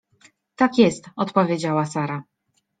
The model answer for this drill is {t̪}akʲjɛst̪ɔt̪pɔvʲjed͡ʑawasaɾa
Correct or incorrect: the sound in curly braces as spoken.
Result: correct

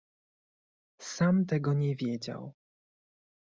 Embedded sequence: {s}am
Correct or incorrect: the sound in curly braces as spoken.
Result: correct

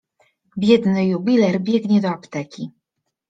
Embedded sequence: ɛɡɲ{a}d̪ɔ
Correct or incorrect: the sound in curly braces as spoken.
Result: incorrect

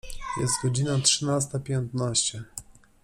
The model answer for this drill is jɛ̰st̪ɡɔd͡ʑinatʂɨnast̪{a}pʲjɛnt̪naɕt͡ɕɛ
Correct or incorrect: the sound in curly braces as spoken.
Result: correct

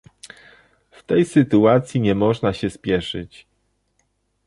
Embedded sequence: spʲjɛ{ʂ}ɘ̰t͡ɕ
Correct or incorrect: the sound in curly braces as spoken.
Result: correct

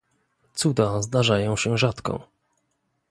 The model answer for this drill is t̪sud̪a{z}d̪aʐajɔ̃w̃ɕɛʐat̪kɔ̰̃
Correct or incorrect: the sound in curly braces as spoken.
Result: correct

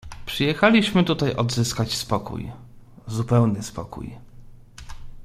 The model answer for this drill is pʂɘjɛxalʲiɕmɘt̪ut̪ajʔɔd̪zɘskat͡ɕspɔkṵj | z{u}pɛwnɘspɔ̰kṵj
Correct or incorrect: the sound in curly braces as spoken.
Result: correct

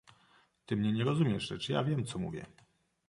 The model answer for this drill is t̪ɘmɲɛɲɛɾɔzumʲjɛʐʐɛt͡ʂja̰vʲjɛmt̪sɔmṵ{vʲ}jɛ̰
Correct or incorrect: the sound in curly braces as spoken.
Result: correct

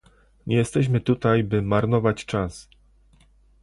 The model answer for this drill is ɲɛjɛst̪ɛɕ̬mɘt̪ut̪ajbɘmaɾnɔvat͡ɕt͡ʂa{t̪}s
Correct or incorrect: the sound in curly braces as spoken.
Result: incorrect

